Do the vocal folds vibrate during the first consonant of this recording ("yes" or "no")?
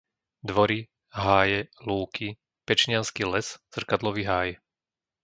yes